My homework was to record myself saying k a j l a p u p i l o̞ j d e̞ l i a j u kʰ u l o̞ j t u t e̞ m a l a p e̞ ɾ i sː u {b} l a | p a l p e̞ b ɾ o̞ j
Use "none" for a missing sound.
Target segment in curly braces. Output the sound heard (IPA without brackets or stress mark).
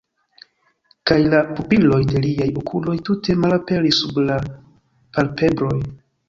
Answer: b